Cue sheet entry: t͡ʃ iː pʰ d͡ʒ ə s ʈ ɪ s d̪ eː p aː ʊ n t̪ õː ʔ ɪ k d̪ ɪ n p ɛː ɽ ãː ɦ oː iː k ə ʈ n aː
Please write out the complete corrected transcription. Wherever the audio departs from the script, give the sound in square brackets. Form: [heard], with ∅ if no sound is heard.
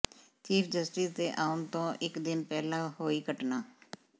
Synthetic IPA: t͡ʃ iː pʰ d͡ʒ ə s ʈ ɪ s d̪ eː [ʔ] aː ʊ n t̪ õː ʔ ɪ k d̪ ɪ n p ɛː [l] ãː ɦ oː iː k ə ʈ n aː

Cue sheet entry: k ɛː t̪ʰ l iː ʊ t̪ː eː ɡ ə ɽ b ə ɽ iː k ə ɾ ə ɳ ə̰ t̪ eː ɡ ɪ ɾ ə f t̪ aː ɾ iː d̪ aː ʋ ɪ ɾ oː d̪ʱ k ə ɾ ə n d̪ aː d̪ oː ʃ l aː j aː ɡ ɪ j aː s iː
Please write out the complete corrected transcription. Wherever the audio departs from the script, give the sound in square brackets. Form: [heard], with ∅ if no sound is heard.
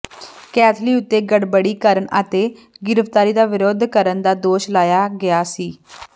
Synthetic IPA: k ɛː t̪ʰ l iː ʊ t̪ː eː ɡ ə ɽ b ə ɽ iː k ə ɾ ə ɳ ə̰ t̪ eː ɡ ɪ ɾ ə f t̪ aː ɾ iː d̪ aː ʋ ɪ ɾ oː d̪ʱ k ə ɾ ə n d̪ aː d̪ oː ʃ l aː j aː ɡ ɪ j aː s iː

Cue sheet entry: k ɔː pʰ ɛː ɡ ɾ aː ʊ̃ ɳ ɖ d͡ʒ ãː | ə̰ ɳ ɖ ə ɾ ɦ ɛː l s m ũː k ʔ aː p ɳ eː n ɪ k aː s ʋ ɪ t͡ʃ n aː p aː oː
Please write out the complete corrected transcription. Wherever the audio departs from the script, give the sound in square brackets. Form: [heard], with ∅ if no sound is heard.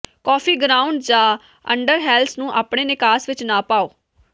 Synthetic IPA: k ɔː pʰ [iː] ɡ ɾ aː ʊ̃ ɳ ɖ d͡ʒ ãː | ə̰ ɳ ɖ ə ɾ ɦ ɛː l s [n] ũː [∅] ʔ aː p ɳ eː n ɪ k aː s ʋ ɪ t͡ʃ n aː p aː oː

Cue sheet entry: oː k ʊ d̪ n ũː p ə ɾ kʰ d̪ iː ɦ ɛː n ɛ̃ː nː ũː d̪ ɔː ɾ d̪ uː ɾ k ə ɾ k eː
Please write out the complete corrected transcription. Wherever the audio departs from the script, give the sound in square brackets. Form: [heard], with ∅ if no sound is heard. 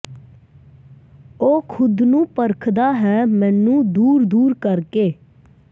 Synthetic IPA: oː [kʰ] ʊ d̪ n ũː p ə ɾ kʰ d̪ [aː] ɦ ɛː [m] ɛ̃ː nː ũː d̪ [uː] ɾ d̪ uː ɾ k ə ɾ k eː

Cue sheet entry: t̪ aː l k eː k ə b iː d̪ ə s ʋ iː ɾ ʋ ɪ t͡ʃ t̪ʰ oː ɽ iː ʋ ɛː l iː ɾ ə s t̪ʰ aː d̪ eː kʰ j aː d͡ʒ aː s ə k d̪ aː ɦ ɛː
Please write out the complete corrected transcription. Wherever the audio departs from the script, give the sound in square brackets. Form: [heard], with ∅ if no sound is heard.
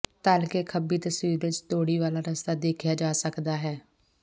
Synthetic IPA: t̪ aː l k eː [kʰ] ə b iː [t̪] ə s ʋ iː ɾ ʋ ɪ t͡ʃ [t̪] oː ɽ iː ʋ [aː] l [aː] ɾ ə s [t̪] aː d̪ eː kʰ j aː d͡ʒ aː s ə k d̪ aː ɦ ɛː

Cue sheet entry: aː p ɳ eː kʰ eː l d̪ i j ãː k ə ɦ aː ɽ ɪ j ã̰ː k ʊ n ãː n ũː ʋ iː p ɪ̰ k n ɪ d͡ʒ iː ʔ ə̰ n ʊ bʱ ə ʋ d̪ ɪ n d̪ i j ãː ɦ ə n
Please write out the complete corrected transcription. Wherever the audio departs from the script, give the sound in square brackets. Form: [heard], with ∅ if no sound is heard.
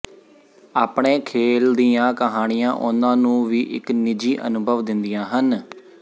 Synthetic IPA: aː p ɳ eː kʰ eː l d̪ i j ãː k ə ɦ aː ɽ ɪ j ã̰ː [ʔ] ʊ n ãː n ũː ʋ iː [ʔ] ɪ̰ k n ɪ d͡ʒ iː ʔ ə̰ n ʊ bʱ ə ʋ d̪ ɪ n d̪ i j ãː ɦ ə n

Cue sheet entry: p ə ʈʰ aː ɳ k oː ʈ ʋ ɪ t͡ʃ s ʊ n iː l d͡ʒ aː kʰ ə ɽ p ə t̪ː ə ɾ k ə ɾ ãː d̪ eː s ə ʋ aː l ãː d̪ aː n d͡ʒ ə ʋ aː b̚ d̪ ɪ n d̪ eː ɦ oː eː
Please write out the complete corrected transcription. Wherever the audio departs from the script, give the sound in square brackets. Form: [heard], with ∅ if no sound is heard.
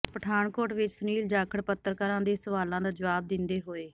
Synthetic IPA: p ə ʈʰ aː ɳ k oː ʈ ʋ ɪ t͡ʃ s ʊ n iː l d͡ʒ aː kʰ ə ɽ p ə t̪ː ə ɾ k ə ɾ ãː d̪ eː s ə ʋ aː l ãː d̪ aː [∅] d͡ʒ ə ʋ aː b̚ d̪ ɪ n d̪ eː ɦ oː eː

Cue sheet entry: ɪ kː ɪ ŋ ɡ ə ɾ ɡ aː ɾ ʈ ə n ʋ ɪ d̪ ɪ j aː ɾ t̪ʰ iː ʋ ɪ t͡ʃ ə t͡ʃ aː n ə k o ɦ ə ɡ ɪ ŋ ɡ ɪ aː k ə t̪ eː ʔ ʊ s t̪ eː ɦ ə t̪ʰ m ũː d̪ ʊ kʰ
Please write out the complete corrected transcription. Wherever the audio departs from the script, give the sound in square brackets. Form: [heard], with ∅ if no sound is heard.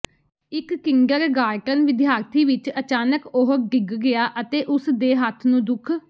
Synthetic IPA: ɪ kː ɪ ŋ ɡ ə ɾ ɡ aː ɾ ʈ ə n ʋ ɪ d̪ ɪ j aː ɾ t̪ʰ iː ʋ ɪ t͡ʃ ə t͡ʃ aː n ə k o ɦ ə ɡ ɪ [ɡ] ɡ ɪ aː [ʔ] ə t̪ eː ʔ ʊ s [d̪] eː ɦ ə t̪ʰ [n] ũː d̪ ʊ kʰ

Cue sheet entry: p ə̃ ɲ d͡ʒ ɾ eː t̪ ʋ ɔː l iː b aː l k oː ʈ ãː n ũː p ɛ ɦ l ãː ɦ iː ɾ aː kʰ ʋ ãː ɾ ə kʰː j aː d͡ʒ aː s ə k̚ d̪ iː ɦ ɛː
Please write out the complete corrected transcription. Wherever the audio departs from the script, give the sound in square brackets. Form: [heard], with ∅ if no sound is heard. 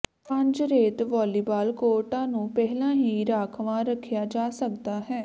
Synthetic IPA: p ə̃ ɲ d͡ʒ ɾ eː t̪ ʋ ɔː l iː b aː l k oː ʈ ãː n ũː p ɛ ɦ l ãː ɦ iː ɾ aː kʰ ʋ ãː ɾ ə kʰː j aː d͡ʒ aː s ə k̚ d̪ [aː] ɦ ɛː

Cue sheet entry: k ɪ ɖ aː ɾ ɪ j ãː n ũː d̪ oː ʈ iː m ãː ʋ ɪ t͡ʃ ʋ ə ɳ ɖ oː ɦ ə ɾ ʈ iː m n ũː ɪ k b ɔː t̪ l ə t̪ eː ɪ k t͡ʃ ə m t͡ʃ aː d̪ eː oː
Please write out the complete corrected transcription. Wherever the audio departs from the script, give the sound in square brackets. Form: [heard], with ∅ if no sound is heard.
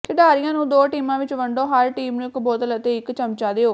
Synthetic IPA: k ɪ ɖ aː ɾ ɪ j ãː n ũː d̪ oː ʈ iː m ãː ʋ ɪ t͡ʃ ʋ ə ɳ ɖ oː ɦ ə ɾ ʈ iː m n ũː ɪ k b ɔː t̪ l ə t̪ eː ɪ k t͡ʃ ə m t͡ʃ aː d̪ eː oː

